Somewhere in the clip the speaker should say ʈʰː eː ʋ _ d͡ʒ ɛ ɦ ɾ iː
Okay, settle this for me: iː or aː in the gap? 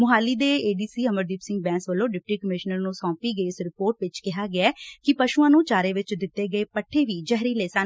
iː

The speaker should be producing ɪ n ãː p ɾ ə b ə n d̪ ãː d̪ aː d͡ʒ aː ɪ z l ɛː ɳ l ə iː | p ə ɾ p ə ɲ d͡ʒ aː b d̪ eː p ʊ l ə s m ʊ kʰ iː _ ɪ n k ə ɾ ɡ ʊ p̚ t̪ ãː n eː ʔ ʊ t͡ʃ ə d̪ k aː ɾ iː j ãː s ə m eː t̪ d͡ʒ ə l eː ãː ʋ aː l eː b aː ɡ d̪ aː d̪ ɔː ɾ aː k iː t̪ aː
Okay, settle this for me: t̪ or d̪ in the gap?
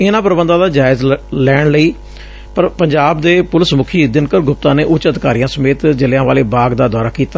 d̪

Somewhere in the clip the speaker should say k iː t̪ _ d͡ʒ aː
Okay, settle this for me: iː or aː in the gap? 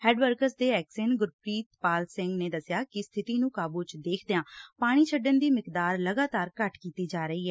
iː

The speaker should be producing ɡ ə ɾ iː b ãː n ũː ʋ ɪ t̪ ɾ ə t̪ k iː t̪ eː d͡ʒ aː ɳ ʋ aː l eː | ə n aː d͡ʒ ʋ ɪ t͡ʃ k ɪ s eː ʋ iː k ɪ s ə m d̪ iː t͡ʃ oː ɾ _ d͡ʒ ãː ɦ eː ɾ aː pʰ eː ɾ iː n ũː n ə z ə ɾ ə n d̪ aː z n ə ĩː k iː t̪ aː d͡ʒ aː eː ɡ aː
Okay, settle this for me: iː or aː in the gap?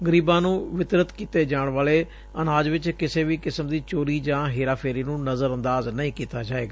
iː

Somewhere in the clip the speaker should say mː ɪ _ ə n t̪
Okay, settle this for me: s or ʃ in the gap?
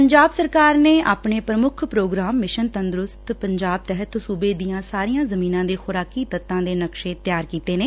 ʃ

